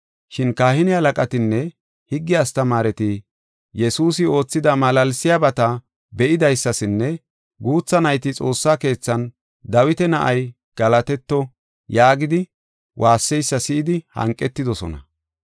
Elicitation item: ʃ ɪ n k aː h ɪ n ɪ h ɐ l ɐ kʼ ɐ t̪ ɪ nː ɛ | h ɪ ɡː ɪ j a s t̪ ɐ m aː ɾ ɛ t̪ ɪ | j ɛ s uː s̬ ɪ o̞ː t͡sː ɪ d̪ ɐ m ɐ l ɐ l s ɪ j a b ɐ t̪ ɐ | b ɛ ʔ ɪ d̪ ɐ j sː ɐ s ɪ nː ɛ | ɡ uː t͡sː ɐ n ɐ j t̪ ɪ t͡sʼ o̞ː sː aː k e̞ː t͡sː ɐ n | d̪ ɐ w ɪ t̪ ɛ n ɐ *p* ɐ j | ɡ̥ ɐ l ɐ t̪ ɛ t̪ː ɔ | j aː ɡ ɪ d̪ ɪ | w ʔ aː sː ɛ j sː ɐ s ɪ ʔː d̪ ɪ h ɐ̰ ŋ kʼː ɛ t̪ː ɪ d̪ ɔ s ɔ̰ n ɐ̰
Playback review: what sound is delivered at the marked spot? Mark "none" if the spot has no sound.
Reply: ʔ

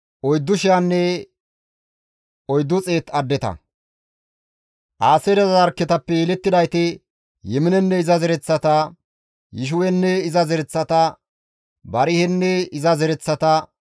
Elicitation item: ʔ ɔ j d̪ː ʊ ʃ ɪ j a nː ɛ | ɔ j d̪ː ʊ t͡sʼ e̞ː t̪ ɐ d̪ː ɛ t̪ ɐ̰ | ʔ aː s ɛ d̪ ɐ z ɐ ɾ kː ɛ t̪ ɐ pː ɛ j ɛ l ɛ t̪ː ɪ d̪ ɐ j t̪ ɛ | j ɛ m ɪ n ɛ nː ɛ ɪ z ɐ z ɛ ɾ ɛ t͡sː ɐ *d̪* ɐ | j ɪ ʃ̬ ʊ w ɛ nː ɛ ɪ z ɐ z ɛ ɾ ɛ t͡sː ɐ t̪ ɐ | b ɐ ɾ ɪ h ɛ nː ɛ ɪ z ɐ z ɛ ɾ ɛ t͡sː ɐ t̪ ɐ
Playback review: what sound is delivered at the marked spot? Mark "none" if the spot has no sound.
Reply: t̪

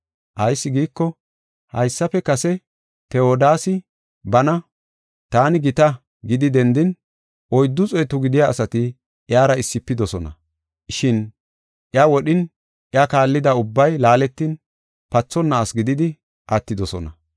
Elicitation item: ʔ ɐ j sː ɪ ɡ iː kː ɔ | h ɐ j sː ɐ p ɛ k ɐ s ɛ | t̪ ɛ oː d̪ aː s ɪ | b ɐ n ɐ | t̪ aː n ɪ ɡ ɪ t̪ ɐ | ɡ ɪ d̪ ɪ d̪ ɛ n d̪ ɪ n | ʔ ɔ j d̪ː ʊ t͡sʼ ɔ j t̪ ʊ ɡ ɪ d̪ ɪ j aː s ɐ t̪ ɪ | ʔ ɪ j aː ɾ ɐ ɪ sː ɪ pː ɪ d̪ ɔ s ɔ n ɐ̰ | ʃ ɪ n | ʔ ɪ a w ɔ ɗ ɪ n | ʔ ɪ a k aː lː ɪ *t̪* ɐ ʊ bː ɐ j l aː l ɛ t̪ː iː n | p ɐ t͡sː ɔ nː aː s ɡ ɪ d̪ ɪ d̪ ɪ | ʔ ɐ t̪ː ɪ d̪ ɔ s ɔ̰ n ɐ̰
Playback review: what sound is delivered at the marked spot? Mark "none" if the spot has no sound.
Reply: d̪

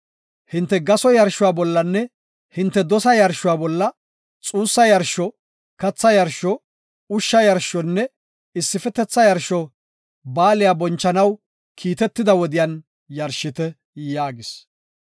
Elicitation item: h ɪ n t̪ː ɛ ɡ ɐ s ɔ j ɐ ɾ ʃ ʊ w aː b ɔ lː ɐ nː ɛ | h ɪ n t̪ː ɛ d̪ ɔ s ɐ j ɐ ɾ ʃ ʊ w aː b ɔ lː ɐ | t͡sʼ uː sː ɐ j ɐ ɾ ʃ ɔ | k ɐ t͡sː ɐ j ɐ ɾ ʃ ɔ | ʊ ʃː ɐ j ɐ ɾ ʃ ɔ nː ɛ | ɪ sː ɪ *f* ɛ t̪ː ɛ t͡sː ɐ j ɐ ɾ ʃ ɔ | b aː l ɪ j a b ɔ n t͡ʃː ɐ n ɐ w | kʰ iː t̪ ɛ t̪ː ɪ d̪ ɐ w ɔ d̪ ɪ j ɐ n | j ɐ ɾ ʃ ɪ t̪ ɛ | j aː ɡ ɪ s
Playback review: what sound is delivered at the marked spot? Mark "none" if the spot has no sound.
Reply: f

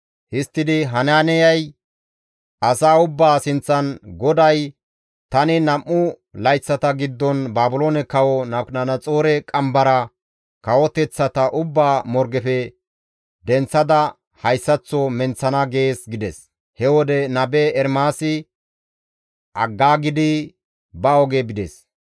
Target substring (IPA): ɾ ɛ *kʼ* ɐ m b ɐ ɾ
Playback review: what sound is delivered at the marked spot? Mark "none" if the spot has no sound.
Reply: kʼ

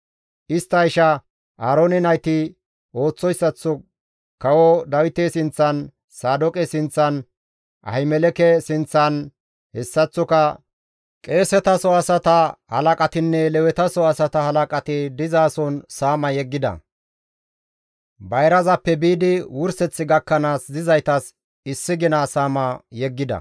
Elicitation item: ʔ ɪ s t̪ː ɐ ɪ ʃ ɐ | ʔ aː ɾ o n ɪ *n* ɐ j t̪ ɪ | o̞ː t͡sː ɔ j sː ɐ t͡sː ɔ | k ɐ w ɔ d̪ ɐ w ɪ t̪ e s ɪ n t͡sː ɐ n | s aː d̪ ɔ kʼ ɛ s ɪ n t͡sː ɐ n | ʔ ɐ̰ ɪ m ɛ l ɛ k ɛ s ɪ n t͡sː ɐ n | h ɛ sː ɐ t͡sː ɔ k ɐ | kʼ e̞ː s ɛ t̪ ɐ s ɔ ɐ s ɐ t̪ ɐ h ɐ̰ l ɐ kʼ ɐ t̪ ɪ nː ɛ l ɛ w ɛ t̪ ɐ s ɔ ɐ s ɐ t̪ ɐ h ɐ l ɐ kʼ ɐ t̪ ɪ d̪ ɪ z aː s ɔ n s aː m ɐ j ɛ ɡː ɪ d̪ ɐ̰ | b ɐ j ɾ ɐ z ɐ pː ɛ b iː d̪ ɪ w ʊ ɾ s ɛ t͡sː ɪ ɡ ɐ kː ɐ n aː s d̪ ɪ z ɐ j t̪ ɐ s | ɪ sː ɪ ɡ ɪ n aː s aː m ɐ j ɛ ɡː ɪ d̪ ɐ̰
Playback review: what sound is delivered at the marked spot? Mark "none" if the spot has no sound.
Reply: n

